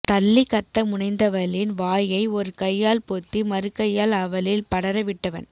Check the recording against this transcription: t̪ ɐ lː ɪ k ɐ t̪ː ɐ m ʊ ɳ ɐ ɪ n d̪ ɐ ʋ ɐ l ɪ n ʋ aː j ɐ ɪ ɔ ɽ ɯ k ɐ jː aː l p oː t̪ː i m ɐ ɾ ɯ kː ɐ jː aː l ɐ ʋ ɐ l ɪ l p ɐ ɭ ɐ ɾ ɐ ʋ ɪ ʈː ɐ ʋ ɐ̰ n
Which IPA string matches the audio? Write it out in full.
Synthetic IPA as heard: t̪ ɐ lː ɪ k ɐ t̪ː ɐ m ʊ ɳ ɐ ɪ n d̪ ɐ ʋ ɐ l ɪ n ʋ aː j ɐ ɪ ɔ ɾ ɯ k ɐ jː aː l p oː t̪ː i m ɐ ɾ ɯ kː ɐ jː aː l ɐ ʋ ɐ l ɪ l p ɐ ɽ ɐ ɾ ɐ ʋ ɪ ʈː ɐ ʋ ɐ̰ n